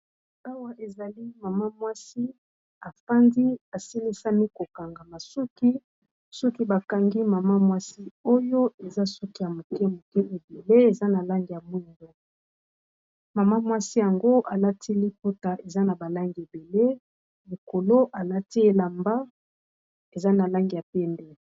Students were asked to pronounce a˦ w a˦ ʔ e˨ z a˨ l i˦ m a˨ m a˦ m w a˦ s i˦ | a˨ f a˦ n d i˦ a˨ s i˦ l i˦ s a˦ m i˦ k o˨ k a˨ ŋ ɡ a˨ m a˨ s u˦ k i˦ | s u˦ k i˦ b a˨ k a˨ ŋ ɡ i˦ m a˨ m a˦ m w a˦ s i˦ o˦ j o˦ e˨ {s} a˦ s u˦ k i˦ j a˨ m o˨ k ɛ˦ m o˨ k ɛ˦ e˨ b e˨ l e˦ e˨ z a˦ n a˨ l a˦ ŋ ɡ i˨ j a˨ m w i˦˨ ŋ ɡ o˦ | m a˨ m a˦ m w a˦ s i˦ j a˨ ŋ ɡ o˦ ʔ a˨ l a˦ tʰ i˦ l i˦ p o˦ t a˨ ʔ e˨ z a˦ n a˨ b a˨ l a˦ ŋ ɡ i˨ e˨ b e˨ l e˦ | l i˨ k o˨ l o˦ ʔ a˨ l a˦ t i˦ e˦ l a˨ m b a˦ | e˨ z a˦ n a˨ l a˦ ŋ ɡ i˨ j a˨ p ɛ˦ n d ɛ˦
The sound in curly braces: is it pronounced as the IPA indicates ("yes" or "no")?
no